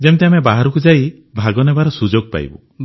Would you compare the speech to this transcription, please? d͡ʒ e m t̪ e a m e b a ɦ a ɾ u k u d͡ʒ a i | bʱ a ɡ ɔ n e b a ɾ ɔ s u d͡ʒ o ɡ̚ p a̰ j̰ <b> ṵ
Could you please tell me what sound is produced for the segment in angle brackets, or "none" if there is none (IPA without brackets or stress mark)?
b